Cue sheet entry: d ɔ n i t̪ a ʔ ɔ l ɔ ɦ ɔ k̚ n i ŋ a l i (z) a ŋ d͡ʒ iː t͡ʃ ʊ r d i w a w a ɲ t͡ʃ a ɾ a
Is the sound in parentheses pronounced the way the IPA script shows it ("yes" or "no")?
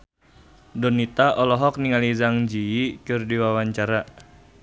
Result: yes